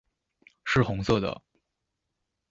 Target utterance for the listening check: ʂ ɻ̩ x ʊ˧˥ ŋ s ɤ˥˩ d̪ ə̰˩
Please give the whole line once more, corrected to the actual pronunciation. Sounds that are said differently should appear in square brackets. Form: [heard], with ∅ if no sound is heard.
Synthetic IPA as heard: ʂ ɻ̩ x ʊ˧˥ ŋ s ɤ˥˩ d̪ ə̰˩